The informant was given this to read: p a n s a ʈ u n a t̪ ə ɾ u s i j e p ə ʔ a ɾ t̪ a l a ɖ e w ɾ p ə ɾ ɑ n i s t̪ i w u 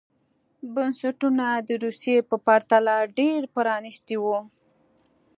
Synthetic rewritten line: b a n s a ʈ u n a d̪ ə ɾ u s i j e p ə p a ɾ t̪ a l a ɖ e ɾ p ə ɾ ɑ n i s t̪ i w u